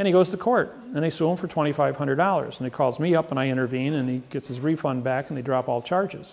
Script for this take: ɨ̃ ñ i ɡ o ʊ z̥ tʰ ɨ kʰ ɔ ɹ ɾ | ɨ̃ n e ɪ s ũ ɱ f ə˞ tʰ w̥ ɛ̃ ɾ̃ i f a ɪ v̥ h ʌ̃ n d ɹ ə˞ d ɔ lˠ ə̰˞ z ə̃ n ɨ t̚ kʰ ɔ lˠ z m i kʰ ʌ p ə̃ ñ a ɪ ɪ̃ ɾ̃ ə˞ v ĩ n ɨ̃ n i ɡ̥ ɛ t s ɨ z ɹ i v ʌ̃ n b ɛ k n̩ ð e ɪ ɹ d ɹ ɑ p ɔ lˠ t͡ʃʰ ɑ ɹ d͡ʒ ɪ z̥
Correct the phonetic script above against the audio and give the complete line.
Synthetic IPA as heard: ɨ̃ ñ i ɡ o ʊ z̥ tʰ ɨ kʰ ɔ ɹ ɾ | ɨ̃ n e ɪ s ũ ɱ f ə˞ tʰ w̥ ɛ̃ ɾ̃ i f a ɪ v̥ h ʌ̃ n d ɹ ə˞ d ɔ lˠ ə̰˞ z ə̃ n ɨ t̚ kʰ ɔ lˠ z m i ʌ p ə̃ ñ a ɪ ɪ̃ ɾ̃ ə˞ v ĩ n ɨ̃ n i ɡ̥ ɛ t s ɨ z ɹ i f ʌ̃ n b æ k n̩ ð e ɪ d ɹ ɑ p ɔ lˠ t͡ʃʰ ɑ ɹ d͡ʒ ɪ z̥